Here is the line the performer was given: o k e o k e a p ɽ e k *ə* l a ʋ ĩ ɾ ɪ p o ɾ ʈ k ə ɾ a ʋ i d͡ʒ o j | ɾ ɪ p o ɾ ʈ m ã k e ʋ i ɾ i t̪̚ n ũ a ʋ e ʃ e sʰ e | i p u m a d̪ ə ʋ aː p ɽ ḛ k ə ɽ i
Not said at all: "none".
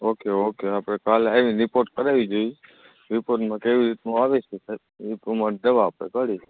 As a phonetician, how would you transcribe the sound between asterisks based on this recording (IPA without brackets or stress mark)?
a